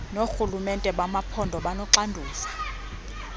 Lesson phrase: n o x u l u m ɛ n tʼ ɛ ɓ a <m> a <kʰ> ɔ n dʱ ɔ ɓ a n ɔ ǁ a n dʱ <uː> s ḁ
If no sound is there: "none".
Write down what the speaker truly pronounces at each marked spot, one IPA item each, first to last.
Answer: m, pʰ, uː

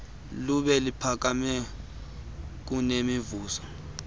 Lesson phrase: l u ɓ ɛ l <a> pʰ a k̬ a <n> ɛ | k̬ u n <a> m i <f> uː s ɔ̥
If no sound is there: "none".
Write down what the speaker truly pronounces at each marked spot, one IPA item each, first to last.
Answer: i, m, e, v

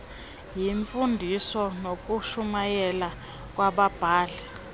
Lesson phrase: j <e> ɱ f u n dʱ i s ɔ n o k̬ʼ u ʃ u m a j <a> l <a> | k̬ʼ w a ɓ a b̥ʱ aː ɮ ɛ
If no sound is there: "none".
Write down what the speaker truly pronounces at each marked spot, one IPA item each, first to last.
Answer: i, ɛ, a

